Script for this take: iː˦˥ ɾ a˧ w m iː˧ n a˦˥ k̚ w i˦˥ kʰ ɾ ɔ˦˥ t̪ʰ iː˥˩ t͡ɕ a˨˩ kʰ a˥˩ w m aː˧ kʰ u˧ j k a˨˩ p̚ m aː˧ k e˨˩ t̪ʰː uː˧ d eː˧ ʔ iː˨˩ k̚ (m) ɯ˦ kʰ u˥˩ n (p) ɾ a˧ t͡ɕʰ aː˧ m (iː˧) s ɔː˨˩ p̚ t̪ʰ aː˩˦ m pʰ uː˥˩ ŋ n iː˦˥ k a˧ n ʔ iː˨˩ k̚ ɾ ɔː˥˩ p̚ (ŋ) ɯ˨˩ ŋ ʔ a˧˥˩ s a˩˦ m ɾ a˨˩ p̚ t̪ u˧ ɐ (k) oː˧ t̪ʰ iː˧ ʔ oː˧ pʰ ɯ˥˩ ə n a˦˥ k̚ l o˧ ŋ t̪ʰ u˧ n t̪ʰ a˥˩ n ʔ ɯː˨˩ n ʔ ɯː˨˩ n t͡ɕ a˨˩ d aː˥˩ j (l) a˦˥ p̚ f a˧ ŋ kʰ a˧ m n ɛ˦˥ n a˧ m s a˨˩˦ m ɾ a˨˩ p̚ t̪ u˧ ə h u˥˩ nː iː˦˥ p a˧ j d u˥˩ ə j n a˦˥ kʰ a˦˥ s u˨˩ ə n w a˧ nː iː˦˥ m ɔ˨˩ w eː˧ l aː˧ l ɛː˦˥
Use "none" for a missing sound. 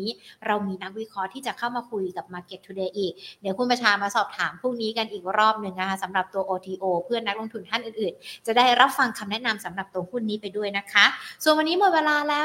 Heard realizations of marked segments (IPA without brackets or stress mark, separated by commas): n, p, aː˧, n, ʔ, ɾ